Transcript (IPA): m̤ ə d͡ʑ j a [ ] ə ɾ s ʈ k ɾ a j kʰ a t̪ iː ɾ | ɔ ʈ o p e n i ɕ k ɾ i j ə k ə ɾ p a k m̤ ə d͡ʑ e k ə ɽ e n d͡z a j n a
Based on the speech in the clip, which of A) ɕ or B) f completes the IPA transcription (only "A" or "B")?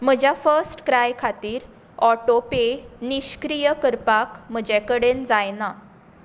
B